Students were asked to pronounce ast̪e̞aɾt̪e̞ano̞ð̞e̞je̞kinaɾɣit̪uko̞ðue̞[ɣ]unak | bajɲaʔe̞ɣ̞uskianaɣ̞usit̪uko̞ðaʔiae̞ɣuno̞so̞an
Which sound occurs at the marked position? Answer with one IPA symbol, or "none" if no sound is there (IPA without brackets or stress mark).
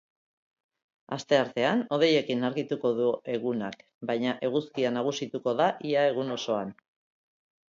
ɣ